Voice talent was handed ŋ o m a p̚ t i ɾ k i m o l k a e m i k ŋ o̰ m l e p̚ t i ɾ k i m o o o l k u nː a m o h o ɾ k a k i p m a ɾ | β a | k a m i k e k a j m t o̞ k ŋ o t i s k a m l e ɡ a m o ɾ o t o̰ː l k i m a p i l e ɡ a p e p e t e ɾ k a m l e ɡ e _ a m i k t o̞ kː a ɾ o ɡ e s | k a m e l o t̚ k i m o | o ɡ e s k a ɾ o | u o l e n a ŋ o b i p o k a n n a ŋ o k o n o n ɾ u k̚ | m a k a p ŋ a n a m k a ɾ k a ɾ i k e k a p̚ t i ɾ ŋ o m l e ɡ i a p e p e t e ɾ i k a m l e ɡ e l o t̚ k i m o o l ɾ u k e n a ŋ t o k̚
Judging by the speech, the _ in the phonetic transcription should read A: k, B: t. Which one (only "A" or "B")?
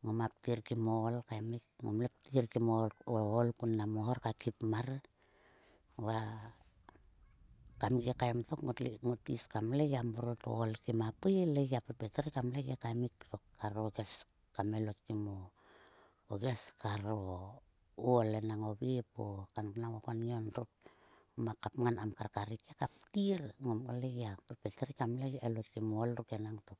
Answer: A